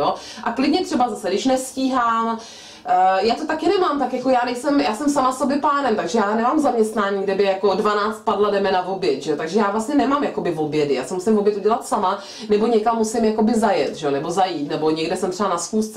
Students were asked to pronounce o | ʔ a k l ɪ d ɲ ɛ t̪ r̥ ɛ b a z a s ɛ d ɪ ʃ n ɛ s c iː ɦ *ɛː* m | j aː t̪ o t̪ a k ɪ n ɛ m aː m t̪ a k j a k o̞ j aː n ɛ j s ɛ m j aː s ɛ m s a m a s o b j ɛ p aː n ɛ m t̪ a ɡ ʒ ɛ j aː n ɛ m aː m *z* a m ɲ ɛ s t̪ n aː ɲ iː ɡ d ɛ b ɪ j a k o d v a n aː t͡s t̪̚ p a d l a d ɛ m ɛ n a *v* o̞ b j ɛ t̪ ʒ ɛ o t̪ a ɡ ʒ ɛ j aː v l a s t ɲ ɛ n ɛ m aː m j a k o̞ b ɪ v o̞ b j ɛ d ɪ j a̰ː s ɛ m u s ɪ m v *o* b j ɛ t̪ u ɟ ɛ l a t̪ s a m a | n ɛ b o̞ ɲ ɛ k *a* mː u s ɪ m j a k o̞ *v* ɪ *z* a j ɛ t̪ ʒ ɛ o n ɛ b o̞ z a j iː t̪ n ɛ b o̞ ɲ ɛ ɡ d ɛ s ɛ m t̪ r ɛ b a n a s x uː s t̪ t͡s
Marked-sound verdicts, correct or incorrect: incorrect: aː, correct, correct, correct, correct, incorrect: b, correct

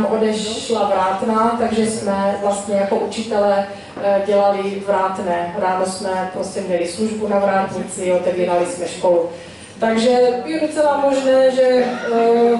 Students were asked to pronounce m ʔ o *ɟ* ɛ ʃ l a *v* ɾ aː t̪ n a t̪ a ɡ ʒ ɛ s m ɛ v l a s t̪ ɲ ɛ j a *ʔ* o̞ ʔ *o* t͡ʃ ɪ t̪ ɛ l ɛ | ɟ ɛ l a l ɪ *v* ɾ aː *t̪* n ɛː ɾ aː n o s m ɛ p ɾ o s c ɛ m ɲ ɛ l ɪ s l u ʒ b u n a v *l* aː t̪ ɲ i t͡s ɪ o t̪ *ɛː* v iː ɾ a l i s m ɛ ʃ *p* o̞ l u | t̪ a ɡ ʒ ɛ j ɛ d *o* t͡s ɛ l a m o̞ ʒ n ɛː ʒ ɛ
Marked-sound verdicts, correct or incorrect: incorrect: d, correct, incorrect: k, incorrect: u, correct, correct, incorrect: ɾ, incorrect: ɛ, incorrect: k, correct

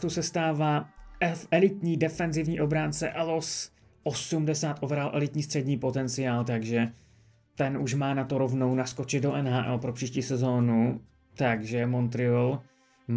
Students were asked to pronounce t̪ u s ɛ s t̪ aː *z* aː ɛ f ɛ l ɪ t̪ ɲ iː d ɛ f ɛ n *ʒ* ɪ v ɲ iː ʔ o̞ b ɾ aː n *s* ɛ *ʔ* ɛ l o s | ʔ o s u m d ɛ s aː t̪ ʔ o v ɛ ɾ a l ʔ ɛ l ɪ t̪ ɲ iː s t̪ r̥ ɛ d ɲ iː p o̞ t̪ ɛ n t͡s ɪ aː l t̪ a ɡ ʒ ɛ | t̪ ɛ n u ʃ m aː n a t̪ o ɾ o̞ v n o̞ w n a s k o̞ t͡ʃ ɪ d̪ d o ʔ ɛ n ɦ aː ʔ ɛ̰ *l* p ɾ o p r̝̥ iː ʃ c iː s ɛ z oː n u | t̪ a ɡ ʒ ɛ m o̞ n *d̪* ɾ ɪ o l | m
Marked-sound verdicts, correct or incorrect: incorrect: v, incorrect: z, incorrect: t͡s, correct, correct, incorrect: t̪

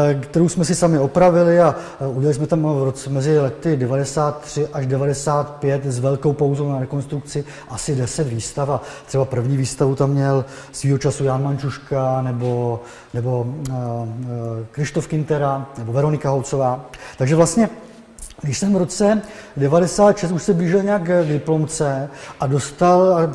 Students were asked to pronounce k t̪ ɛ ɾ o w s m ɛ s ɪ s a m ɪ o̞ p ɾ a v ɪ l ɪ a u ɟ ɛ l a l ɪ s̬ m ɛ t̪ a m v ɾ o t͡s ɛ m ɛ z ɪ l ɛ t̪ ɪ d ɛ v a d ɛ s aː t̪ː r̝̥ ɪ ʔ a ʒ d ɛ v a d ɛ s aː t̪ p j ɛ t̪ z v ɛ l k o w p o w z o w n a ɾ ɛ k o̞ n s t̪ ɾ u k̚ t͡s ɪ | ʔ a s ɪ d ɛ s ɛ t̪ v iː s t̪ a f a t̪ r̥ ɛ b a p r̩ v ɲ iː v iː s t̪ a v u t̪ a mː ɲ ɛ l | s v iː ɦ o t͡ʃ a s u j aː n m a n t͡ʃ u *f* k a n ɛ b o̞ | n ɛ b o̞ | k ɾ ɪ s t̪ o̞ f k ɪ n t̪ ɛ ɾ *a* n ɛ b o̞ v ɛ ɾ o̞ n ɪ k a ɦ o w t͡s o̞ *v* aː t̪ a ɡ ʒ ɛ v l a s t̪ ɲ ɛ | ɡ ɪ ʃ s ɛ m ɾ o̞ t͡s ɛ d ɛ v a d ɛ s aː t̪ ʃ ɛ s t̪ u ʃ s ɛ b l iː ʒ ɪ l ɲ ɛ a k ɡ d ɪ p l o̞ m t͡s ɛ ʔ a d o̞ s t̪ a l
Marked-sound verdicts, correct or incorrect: incorrect: ʃ, correct, correct

